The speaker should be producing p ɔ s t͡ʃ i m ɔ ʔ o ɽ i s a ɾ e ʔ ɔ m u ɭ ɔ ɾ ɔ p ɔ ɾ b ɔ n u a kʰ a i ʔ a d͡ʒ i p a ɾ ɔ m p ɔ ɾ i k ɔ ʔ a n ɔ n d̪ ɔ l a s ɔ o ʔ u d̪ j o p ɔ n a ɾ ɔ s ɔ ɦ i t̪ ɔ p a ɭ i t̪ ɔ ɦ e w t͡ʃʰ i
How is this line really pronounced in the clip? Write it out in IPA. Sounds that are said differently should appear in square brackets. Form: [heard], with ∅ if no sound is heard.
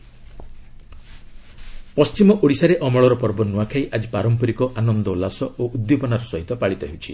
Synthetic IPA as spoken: p ɔ s t͡ʃ i m ɔ ʔ o ɽ i s a ɾ e ʔ ɔ m [ɔ] ɭ ɔ ɾ ɔ p ɔ ɾ b ɔ n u a kʰ a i ʔ a d͡ʒ i p a ɾ ɔ m p ɔ ɾ i k ɔ ʔ a n ɔ n d̪ ɔ l a s ɔ o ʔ u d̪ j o p ɔ n a ɾ ɔ s ɔ ɦ i t̪ ɔ p a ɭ i t̪ ɔ ɦ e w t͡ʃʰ i